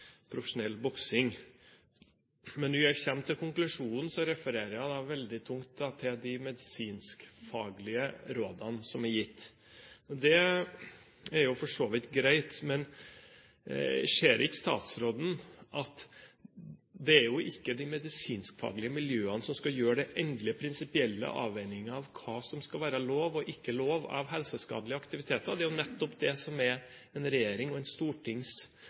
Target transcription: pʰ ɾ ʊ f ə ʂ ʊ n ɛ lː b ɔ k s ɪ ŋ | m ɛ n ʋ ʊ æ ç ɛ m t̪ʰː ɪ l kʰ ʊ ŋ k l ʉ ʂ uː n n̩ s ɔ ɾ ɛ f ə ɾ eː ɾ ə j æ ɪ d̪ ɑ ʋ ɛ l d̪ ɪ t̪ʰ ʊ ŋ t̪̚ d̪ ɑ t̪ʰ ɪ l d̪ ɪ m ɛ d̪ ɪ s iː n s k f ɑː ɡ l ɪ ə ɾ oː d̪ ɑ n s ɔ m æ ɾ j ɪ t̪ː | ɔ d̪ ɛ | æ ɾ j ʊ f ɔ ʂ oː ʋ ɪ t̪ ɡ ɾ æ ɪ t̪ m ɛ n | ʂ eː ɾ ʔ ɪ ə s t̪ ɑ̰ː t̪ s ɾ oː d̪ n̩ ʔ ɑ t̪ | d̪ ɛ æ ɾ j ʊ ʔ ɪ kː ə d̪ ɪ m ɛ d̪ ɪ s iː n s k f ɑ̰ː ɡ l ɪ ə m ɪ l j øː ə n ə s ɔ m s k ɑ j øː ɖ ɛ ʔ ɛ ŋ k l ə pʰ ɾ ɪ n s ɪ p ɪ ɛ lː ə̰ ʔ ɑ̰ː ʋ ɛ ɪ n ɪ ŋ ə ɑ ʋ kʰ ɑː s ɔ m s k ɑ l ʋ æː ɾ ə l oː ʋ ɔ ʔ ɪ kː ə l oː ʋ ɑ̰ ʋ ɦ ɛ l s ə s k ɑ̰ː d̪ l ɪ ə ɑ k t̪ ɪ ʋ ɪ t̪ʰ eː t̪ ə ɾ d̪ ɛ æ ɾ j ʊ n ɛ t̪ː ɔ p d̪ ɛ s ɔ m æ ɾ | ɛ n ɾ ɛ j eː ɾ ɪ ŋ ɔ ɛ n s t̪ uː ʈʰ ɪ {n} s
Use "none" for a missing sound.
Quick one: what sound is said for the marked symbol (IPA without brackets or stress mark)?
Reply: ŋ